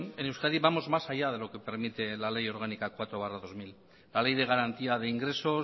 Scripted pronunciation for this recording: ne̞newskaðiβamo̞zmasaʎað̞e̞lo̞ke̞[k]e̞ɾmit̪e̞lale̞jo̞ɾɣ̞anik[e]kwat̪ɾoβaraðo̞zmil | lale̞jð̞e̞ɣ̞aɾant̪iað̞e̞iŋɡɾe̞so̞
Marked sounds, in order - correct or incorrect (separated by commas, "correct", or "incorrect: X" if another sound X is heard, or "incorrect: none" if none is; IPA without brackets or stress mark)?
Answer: incorrect: p, incorrect: a